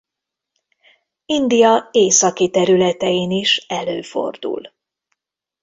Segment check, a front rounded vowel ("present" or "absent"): present